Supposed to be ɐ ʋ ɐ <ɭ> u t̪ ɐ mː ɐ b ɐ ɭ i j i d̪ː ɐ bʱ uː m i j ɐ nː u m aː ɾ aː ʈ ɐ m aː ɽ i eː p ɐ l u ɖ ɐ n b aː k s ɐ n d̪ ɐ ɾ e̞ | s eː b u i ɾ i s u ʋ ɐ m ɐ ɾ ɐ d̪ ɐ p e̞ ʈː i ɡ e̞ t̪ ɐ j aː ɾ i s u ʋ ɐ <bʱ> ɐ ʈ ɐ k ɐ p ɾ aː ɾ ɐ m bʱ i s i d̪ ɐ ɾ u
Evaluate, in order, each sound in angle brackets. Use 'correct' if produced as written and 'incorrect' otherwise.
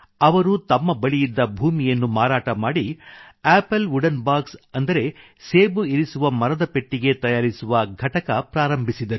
incorrect: ɾ, incorrect: ɡʱ

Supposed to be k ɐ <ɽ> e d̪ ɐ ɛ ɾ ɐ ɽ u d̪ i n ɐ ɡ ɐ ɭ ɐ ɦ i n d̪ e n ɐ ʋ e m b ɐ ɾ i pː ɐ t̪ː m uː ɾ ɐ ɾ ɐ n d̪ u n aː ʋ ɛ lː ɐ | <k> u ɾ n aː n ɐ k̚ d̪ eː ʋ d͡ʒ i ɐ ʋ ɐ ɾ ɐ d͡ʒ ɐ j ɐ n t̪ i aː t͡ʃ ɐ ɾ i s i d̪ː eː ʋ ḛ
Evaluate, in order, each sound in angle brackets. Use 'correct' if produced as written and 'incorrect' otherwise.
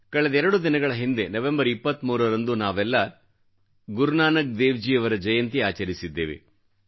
incorrect: ɭ, incorrect: ɡ

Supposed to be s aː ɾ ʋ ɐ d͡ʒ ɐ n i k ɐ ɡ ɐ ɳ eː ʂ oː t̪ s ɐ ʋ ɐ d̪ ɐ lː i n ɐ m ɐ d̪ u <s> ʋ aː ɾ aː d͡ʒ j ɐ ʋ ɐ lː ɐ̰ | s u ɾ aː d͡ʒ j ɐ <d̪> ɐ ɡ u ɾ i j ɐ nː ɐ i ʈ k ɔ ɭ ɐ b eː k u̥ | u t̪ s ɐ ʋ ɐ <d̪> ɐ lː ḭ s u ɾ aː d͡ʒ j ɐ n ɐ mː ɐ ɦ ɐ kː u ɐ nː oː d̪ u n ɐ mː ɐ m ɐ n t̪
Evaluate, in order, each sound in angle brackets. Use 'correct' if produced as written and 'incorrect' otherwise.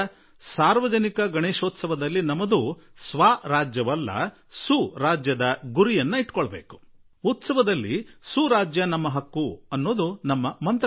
correct, correct, correct

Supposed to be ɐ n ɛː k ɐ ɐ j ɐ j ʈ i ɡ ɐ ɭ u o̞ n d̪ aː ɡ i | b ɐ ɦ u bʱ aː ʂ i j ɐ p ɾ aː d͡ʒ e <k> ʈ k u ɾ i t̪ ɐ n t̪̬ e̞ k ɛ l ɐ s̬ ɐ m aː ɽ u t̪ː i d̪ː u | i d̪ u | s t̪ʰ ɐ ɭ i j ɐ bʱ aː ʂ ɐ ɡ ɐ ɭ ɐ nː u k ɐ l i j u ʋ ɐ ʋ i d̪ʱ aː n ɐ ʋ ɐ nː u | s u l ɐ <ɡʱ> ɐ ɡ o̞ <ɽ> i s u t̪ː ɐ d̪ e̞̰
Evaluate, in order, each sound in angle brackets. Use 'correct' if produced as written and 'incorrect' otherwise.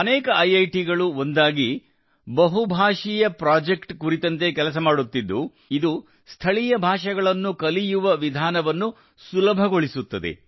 correct, incorrect: bʱ, incorrect: ɭ

